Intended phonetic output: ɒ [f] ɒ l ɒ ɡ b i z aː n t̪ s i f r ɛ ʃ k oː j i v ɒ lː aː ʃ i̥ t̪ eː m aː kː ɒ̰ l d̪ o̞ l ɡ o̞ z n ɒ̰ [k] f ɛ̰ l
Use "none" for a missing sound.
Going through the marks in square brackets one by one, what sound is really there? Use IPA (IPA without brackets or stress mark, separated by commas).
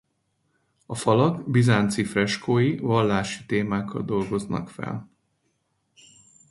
f, k